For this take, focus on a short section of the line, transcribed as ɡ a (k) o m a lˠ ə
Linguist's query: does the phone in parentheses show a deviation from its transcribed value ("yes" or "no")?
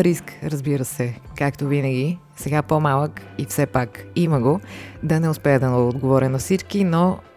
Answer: yes